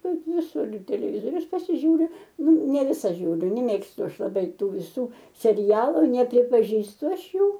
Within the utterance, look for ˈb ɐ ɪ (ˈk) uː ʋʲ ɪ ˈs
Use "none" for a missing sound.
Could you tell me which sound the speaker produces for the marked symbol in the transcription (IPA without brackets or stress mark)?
t